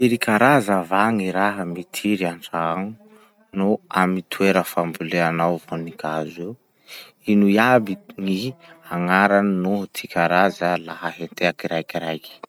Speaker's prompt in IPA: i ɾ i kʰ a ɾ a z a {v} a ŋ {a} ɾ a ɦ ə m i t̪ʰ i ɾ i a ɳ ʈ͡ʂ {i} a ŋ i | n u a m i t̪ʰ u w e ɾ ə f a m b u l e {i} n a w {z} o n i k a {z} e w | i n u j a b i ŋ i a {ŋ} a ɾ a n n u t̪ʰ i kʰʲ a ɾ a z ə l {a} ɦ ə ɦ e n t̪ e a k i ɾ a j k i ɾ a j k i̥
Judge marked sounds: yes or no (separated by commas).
yes, no, no, no, no, yes, yes, yes